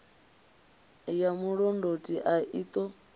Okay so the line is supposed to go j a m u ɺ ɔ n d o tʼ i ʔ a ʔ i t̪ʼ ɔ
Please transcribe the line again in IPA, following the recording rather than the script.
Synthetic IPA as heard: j a m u ɺ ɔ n d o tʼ i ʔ a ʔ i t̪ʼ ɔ